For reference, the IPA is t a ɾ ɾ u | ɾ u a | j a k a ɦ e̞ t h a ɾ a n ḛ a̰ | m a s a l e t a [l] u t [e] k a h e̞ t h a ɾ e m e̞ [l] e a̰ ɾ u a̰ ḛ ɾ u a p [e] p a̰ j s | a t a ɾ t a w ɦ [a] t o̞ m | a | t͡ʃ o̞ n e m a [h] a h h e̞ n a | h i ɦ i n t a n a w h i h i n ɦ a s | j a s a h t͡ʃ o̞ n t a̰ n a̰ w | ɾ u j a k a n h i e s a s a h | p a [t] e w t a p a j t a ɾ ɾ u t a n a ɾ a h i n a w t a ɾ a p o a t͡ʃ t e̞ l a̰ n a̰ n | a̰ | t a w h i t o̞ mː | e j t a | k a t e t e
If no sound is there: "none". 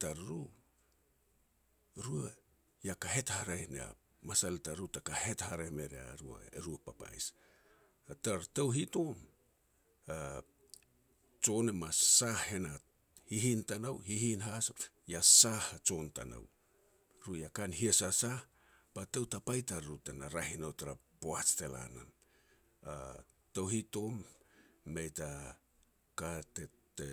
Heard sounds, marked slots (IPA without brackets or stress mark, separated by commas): ɾ, a, ɾ, a, i, s, t